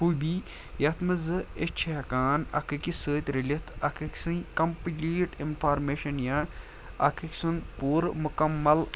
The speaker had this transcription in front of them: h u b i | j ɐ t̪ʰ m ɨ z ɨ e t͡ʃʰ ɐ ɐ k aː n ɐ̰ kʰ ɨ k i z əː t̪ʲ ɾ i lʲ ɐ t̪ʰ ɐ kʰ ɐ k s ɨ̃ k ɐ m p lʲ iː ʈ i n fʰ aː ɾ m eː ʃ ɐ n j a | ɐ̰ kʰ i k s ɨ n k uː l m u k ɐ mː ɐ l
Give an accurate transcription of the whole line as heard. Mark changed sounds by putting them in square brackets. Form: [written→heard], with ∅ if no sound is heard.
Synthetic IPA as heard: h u b i | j ɐ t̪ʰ m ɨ z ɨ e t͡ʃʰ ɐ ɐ k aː n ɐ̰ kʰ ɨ k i [z→s] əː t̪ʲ ɾ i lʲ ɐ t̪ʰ ɐ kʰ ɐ k s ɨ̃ k ɐ m p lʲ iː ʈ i n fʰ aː ɾ m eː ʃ ɐ n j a | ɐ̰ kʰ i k s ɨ n [k→p] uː [l→ɾ] m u k ɐ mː ɐ l